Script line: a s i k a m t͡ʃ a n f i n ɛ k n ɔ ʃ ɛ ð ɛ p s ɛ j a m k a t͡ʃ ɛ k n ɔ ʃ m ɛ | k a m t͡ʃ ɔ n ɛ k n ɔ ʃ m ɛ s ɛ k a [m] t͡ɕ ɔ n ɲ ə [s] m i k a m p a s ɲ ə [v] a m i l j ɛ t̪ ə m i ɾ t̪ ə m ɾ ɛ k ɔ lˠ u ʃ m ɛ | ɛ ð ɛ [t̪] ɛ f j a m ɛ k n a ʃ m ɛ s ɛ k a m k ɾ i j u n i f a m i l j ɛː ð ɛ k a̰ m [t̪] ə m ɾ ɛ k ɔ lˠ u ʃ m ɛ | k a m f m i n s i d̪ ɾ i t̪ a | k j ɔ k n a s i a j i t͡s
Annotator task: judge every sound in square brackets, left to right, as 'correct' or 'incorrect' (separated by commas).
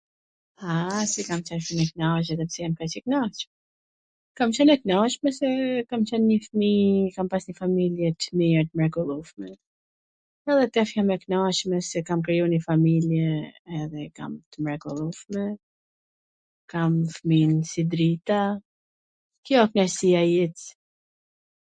correct, incorrect, incorrect, correct, correct